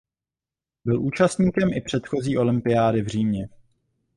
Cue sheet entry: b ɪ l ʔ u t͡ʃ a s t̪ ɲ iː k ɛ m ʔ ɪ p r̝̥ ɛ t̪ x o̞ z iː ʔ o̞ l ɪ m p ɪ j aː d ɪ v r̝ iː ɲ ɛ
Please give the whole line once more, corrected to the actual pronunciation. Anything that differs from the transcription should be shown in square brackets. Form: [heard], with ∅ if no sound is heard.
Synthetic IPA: b ɪ l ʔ [uː] t͡ʃ a s t̪ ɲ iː k ɛ m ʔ ɪ p r̝̥ ɛ t̪ x o̞ z iː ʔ o̞ l ɪ m p ɪ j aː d ɪ v r̝ iː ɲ ɛ